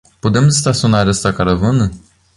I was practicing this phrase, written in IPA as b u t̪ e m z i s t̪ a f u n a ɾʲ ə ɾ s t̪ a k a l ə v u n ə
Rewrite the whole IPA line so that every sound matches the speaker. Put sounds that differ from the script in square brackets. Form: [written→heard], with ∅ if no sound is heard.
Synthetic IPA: [b→p] u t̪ e m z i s t̪ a [f→s] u n a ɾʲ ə [ɾ→∅] s t̪ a k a [l→ɾ] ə v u n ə